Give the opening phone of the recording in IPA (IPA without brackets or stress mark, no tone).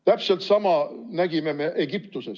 t̪